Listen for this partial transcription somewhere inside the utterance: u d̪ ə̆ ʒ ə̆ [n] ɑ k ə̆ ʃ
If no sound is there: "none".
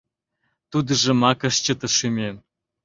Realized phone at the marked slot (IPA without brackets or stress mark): m